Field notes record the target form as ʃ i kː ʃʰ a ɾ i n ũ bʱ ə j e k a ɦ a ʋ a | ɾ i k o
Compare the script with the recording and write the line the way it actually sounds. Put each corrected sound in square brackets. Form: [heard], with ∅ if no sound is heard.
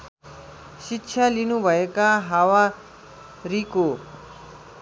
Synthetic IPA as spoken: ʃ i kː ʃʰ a [l] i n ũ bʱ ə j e k a ɦ a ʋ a | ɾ i k o

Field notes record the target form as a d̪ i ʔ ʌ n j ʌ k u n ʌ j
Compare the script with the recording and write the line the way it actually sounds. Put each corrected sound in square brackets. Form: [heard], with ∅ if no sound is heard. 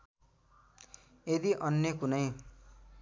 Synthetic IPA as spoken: [e] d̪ i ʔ ʌ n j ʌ k u n ʌ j

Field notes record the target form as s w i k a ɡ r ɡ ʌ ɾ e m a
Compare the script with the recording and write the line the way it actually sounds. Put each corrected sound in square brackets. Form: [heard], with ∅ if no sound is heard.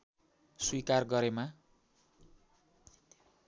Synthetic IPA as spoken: s w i k a [∅] r ɡ ʌ ɾ e m a

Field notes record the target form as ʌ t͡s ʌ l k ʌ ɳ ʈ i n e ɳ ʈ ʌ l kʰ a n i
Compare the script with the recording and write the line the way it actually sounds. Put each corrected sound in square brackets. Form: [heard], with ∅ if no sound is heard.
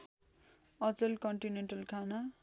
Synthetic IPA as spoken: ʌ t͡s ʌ l k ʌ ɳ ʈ i n e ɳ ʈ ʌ l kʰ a n [a]

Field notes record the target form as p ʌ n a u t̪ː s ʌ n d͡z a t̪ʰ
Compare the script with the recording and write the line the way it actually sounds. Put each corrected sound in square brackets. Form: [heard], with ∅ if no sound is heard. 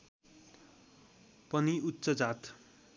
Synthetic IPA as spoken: p ʌ n [i] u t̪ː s ʌ [∅] d͡z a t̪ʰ

